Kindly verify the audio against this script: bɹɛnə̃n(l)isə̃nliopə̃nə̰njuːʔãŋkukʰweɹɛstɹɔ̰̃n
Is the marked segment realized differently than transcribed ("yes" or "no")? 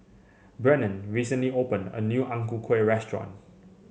yes